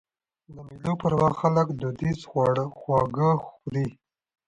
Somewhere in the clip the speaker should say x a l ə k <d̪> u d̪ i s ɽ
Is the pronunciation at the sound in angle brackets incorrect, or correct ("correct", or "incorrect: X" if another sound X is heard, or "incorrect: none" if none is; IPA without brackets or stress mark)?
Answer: correct